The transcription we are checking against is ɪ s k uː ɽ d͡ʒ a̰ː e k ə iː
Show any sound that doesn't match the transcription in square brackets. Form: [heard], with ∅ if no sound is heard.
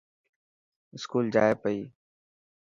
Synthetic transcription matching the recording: ɪ s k uː [l] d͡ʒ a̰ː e [p] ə iː